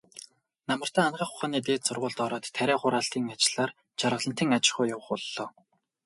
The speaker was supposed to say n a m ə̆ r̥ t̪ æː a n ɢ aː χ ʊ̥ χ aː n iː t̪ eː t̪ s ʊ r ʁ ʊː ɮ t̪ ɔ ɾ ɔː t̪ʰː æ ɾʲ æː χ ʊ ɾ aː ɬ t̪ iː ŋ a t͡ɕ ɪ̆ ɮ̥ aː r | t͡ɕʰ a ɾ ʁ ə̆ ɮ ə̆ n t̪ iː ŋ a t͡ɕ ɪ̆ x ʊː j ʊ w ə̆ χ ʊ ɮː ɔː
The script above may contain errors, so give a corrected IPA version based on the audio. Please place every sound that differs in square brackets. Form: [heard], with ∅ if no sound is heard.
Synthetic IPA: n a m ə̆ r̥ t̪ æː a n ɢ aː χ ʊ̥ χ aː n iː t̪ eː t̪ s ʊ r ʁ ʊː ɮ t̪ ɔ ɾ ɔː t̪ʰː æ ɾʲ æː χ ʊ ɾ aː ɬ t̪ iː ŋ a t͡ɕ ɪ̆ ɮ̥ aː r | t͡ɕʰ a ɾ ʁ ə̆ ɮ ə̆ n t̪ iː ŋ a t͡ɕ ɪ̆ [χ] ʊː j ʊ w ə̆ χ ʊ ɮː ɔː